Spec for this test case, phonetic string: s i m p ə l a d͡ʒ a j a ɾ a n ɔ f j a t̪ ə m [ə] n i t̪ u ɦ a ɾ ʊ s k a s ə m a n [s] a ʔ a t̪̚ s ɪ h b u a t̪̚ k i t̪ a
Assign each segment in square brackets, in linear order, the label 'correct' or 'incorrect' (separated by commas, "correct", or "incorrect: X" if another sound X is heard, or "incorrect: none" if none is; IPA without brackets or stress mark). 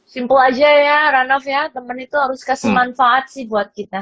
correct, incorrect: f